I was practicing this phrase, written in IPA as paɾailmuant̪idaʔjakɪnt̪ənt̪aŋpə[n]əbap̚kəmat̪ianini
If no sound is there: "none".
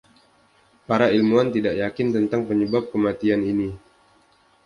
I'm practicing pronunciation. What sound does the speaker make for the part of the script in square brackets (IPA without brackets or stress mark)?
ɲ